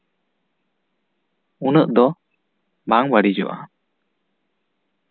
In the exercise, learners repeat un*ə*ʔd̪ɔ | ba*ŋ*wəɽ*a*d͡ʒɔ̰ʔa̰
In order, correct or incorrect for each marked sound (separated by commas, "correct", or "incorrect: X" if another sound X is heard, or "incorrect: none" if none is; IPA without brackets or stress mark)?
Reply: correct, correct, incorrect: i